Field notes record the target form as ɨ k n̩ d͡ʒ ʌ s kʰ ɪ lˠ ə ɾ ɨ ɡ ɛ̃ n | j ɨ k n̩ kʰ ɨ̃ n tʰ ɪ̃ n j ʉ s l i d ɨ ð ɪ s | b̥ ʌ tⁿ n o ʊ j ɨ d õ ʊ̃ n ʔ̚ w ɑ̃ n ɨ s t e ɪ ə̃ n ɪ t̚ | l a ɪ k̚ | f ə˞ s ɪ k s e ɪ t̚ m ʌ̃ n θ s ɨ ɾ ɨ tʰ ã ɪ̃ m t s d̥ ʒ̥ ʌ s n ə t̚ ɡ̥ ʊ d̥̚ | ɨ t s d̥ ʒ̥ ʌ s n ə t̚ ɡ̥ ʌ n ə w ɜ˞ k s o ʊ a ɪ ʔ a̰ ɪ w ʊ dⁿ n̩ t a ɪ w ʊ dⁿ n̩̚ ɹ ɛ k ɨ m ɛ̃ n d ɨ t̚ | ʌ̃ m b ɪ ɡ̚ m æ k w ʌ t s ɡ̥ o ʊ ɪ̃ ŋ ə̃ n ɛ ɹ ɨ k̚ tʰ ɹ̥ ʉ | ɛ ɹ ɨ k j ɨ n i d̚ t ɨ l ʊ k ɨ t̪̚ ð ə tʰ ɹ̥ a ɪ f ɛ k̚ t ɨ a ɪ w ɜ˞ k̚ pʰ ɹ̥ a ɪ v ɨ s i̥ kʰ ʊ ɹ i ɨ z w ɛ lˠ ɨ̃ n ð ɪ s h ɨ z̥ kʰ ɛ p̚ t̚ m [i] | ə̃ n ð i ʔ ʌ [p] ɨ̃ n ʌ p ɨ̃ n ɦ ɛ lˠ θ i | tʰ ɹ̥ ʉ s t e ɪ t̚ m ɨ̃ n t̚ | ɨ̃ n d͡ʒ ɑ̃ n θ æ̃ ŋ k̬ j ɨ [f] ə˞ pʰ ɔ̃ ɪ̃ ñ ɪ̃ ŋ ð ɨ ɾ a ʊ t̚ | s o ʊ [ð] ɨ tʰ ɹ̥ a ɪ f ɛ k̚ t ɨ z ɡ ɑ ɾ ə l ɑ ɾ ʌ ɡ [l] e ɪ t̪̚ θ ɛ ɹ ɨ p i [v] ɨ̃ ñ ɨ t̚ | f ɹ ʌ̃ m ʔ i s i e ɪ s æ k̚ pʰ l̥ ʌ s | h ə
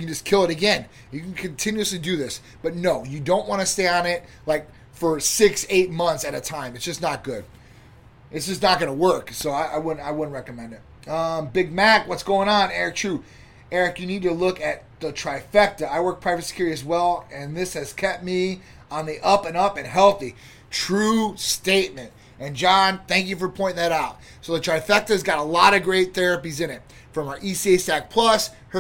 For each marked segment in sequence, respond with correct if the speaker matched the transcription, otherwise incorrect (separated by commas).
correct, correct, correct, correct, incorrect, incorrect